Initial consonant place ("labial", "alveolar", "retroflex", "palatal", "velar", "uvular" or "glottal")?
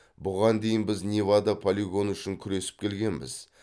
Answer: labial